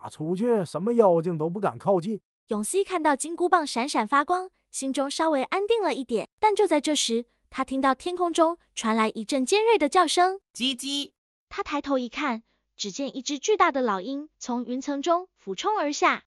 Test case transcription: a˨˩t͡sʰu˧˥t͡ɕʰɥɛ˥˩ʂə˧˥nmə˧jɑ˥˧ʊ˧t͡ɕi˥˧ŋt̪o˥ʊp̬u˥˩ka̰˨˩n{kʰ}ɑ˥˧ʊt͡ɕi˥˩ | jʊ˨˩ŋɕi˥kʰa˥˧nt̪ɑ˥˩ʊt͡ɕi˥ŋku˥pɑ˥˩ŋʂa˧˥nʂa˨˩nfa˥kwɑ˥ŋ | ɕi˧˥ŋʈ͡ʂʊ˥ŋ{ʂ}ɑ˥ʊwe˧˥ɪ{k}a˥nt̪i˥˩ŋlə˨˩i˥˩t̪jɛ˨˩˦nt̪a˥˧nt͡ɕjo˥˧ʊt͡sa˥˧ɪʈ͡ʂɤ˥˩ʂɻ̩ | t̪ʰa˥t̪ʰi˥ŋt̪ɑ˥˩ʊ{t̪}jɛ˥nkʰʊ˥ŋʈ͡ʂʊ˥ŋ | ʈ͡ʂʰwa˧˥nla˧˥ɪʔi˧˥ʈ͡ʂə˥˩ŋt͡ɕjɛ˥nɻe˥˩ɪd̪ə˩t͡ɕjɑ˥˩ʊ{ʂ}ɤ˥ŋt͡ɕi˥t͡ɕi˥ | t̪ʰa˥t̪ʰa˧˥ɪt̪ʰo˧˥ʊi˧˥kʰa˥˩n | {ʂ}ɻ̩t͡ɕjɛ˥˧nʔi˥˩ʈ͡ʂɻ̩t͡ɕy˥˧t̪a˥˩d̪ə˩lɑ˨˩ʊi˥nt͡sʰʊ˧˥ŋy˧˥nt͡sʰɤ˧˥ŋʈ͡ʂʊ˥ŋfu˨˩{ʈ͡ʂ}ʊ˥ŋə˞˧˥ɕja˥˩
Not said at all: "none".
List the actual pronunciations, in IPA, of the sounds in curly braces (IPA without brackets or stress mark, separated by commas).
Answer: kʰ, ʂ, ʔ, t̪ʰ, ʂ, ʈ͡ʂ, ʈ͡ʂʰ